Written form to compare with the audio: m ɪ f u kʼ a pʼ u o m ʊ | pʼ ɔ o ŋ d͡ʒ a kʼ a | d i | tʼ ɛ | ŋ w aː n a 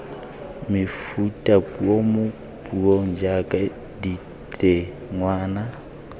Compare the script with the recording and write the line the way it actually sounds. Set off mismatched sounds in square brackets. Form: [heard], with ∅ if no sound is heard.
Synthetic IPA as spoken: m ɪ f u [tʼ] a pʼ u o m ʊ | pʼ [u] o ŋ d͡ʒ a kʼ a | d i | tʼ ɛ | ŋ w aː n a